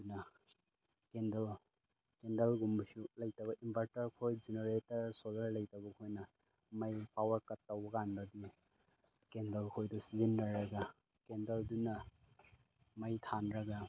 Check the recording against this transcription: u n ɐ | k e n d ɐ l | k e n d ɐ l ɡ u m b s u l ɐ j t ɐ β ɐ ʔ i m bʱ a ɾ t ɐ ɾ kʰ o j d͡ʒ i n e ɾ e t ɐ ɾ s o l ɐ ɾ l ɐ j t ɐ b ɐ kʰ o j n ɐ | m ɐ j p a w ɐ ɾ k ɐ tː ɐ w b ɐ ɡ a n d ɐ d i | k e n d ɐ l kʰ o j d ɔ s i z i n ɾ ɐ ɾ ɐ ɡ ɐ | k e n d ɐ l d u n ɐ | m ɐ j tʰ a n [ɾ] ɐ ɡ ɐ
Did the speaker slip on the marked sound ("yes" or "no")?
no